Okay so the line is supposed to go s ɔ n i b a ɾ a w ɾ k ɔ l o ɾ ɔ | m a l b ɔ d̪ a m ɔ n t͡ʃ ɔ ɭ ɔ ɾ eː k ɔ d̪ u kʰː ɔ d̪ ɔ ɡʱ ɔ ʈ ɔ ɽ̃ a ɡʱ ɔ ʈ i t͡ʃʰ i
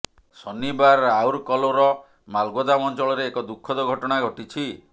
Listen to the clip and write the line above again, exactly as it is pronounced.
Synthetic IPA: s ɔ n i b a ɾ a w ɾ k ɔ l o ɾ ɔ | m a l ɡ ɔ d̪ a m ɔ n t͡ʃ ɔ ɭ ɔ ɾ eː k ɔ d̪ u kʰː ɔ d̪ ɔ ɡʱ ɔ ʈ ɔ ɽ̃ a ɡʱ ɔ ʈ i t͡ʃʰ i